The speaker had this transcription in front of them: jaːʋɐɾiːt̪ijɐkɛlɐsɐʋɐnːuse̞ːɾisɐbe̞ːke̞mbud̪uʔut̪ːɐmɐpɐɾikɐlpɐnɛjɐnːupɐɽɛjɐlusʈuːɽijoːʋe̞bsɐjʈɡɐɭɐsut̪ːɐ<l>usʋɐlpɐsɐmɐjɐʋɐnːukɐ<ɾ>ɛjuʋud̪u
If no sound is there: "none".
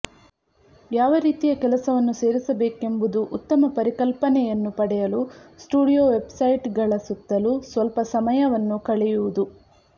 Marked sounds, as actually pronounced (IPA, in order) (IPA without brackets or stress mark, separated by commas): l, ɭ